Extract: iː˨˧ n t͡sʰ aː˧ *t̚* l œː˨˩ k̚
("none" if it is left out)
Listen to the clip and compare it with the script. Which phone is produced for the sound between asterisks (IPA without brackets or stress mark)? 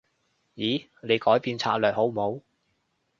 t̚